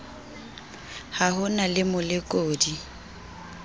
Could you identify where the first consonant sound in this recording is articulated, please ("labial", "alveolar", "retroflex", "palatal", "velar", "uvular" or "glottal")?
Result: glottal